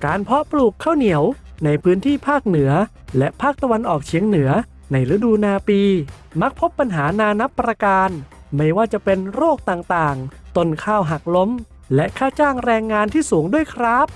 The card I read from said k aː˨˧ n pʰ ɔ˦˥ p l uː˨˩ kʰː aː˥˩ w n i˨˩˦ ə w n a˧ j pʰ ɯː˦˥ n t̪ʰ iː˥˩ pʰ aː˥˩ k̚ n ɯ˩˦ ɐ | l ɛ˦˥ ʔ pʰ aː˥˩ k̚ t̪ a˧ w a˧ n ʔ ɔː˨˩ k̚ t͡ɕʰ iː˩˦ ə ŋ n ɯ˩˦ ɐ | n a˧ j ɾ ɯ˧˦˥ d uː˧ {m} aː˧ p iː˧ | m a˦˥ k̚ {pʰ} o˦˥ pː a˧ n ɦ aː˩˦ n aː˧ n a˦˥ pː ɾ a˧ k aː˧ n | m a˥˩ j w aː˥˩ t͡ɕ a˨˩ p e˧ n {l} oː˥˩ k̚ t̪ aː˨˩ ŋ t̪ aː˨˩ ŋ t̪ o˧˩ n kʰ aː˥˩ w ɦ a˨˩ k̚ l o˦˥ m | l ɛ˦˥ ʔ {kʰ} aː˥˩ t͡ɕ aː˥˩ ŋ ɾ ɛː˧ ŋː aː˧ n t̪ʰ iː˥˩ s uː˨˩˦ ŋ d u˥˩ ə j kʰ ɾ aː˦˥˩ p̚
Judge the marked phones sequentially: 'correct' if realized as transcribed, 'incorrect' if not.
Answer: incorrect: n, correct, incorrect: ɾ, correct

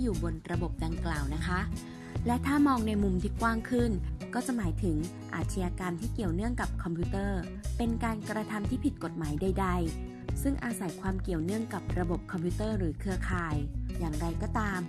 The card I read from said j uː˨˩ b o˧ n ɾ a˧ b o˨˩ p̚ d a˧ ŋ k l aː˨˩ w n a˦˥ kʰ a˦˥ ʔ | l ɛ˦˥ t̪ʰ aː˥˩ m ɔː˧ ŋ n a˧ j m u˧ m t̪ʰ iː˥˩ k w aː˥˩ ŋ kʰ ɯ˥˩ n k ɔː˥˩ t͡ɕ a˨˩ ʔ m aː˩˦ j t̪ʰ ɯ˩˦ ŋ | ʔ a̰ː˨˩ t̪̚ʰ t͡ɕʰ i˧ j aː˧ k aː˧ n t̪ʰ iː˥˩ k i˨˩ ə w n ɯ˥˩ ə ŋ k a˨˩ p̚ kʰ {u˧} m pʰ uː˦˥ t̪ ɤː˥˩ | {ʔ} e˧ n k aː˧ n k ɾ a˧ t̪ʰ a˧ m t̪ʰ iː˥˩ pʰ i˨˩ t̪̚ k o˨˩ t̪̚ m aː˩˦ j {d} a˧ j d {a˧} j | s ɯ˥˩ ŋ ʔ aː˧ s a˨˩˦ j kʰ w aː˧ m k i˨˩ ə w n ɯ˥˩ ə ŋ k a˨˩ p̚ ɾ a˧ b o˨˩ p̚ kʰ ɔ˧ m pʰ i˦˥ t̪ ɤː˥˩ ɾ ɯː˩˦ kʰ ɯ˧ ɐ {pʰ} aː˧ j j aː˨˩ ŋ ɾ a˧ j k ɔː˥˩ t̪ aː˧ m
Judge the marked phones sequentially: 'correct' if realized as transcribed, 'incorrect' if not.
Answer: incorrect: ɔ˧, incorrect: p, correct, correct, incorrect: kʰ

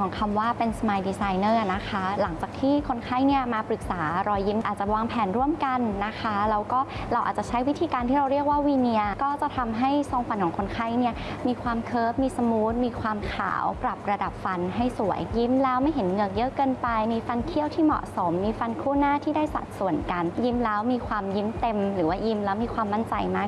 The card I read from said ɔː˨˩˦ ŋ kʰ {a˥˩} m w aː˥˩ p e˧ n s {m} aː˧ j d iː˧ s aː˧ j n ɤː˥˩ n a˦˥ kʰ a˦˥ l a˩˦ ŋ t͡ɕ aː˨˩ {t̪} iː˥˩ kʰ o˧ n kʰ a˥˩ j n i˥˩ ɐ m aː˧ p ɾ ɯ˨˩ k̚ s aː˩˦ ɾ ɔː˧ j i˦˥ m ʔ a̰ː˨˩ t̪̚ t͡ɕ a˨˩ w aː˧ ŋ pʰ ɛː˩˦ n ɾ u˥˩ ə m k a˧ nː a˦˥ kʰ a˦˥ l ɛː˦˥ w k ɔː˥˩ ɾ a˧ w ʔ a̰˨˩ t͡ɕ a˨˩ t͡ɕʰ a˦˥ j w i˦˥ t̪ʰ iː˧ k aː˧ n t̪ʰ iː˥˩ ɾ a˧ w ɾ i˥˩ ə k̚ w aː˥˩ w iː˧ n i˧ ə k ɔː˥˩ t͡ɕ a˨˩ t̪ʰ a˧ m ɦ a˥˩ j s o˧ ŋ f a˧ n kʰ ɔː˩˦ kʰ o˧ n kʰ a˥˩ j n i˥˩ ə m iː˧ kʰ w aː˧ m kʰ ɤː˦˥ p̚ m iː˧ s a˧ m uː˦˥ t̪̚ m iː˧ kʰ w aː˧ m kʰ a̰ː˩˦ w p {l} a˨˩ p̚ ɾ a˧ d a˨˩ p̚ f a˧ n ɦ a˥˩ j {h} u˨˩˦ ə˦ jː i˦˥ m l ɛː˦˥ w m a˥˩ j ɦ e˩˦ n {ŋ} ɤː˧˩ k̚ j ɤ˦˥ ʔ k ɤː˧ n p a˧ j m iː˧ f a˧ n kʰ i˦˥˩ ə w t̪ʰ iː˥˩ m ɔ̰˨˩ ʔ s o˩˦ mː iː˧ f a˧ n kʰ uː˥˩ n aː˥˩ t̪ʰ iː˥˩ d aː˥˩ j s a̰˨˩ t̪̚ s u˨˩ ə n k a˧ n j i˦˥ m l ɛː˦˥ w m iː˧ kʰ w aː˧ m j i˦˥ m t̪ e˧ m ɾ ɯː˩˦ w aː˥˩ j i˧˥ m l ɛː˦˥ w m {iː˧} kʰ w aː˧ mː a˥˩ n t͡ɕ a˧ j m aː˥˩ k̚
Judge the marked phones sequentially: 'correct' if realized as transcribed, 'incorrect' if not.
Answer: incorrect: a˧, correct, incorrect: t̪ʰ, incorrect: ɾ, incorrect: s, correct, correct

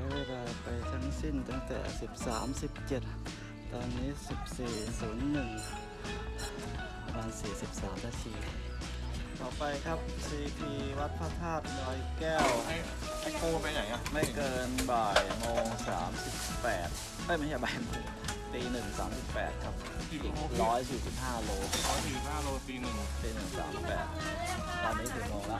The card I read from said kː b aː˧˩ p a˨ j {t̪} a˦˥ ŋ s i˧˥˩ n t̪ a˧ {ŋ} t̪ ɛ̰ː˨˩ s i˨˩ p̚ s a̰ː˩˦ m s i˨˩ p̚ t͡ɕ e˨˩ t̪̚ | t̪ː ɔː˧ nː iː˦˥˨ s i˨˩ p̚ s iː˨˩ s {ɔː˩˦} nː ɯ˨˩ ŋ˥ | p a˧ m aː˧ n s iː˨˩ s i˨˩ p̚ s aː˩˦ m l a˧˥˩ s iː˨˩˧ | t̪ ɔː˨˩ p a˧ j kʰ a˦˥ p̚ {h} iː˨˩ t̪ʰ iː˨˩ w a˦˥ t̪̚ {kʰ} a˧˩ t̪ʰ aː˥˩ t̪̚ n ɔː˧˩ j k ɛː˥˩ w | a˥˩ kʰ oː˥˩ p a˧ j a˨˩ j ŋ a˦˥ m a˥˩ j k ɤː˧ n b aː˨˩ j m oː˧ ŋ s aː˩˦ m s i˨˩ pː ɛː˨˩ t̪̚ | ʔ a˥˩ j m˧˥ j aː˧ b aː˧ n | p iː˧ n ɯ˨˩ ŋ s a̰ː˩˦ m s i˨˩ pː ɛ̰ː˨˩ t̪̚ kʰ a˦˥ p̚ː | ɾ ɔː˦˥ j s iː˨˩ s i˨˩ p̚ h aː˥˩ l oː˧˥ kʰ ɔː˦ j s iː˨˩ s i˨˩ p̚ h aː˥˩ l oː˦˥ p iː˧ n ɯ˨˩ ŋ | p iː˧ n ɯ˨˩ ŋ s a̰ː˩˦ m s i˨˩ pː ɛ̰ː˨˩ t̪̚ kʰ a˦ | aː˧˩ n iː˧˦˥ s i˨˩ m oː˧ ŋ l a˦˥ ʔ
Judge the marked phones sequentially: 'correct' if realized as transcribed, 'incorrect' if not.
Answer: incorrect: t̪ʰ, correct, incorrect: uː˩˦, incorrect: s, incorrect: pʰ

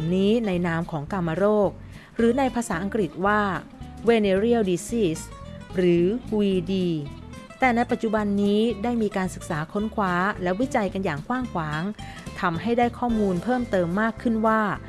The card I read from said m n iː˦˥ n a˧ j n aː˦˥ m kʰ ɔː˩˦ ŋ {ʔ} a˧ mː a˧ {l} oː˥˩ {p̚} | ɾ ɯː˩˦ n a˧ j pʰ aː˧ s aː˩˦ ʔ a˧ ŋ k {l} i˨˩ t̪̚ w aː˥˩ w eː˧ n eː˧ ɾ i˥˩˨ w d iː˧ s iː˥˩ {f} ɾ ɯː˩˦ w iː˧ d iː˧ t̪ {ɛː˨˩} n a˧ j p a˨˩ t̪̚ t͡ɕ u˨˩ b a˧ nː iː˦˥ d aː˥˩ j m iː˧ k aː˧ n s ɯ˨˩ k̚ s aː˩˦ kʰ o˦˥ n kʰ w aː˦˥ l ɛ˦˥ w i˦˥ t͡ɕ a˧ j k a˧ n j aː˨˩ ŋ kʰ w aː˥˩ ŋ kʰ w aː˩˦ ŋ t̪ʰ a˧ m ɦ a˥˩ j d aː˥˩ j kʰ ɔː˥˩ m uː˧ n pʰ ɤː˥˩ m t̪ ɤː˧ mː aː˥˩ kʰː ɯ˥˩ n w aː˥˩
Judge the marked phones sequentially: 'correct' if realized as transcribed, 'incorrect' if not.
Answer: incorrect: k, incorrect: ɾ, incorrect: k̚, incorrect: ɾ, incorrect: s, correct

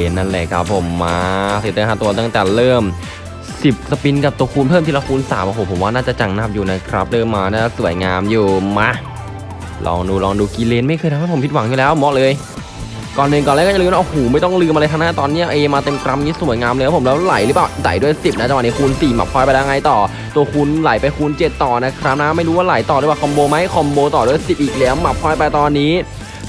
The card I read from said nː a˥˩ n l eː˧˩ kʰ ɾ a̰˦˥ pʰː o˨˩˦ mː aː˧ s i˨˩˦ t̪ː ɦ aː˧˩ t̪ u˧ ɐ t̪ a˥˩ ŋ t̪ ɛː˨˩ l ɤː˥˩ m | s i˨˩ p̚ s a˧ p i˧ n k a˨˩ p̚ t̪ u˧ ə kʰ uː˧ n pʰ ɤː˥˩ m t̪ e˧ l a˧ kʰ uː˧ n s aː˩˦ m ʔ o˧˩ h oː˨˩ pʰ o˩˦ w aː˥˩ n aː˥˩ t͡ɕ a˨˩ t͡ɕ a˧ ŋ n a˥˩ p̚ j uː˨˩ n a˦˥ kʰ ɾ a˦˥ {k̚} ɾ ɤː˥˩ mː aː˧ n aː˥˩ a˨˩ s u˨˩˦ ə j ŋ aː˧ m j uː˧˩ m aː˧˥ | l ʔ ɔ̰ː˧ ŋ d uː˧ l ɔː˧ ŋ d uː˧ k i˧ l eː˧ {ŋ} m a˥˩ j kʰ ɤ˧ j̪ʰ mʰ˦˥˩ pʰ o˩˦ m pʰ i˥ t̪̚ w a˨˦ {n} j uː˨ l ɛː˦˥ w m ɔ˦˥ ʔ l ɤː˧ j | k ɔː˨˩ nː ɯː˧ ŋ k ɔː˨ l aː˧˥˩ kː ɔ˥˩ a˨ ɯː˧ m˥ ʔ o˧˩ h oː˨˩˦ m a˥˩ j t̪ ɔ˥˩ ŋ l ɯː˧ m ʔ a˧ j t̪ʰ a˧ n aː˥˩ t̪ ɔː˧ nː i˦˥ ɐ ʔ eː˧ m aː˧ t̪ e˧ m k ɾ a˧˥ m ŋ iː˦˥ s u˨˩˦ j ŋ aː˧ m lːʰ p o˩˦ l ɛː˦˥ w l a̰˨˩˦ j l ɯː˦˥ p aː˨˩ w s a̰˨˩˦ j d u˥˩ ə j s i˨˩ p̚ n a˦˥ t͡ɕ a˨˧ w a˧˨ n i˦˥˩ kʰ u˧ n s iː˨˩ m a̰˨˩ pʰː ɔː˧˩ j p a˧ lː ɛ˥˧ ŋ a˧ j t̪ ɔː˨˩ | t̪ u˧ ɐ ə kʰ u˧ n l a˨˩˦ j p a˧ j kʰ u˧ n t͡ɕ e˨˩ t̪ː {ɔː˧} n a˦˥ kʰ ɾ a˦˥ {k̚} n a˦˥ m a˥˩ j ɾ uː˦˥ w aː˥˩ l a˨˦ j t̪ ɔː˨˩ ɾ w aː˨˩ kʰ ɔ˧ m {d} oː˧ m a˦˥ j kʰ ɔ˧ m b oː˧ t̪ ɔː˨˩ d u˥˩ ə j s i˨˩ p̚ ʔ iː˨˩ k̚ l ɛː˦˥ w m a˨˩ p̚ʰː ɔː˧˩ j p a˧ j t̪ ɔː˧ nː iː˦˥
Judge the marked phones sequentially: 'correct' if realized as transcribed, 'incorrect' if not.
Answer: incorrect: p̚, incorrect: n, incorrect: ŋ, incorrect: ɔː˨˩, incorrect: p̚, incorrect: b

